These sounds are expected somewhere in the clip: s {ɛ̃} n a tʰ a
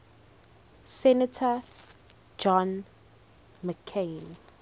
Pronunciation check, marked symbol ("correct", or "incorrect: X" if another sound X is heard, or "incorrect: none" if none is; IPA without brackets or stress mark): incorrect: ɛ